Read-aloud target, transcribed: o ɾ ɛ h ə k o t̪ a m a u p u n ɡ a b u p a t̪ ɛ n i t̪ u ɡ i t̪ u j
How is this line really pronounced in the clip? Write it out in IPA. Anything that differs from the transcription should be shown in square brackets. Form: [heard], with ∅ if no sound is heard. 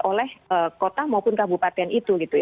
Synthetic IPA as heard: o [l] ɛ h ə k o t̪ a m a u p [ʊ] n [k] a b u p a t̪ ɛ n i t̪ u ɡ i t̪ u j